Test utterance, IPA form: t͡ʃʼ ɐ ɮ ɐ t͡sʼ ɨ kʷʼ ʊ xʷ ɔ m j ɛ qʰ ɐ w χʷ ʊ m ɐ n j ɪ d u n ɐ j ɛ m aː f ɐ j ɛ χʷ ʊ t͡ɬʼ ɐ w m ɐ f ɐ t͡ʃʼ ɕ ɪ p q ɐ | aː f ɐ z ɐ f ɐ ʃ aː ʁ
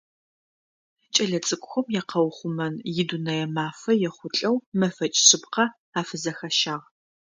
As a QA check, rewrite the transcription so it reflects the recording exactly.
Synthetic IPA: t͡ʃʼ ɐ ɮ ɐ t͡sʼ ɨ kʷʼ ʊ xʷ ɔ m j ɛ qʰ ɐ w χʷ ʊ m ɐ n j ɪ d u n ɐ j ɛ m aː f ɐ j ɛ χʷ ʊ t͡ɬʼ ɐ w m ɐ f ɐ t͡ʃʼ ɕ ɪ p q ɐ | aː f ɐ z ɐ x ɐ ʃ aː ʁ